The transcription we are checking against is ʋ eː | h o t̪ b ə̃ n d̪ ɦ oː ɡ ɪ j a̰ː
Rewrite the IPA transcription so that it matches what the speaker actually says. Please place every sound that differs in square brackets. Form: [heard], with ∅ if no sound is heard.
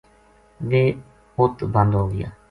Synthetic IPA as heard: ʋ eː | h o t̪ b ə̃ n d̪ ɦ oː ɡ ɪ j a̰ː